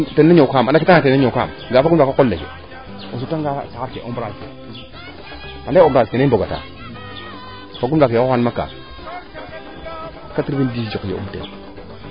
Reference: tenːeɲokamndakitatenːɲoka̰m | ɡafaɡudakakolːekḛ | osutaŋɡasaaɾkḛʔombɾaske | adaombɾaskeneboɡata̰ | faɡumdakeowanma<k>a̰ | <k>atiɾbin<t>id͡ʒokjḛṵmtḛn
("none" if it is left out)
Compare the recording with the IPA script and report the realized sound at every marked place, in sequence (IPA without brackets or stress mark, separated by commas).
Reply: k, k, d